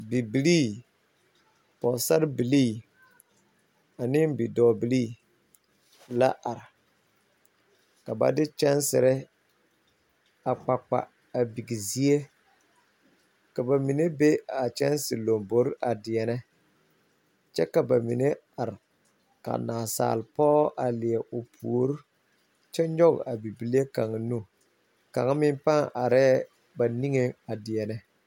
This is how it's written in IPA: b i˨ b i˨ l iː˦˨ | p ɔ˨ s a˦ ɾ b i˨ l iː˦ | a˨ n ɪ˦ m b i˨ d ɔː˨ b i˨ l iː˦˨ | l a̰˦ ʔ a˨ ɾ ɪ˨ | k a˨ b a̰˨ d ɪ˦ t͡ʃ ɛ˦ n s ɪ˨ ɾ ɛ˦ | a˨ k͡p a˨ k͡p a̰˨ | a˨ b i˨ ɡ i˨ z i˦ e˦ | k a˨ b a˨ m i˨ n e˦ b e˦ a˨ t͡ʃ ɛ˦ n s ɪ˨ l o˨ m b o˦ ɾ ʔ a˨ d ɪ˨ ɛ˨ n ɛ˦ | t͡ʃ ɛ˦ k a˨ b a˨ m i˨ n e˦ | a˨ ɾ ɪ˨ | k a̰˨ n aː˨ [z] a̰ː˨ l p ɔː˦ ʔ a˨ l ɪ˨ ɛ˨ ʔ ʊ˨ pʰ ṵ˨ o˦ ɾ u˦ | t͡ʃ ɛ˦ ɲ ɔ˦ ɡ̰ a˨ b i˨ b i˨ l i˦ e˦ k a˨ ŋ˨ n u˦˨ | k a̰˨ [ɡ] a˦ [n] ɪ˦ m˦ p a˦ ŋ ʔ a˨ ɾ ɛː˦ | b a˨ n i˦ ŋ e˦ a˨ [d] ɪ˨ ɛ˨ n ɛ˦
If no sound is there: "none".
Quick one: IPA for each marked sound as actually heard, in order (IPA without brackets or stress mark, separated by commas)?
s, ŋ, m, d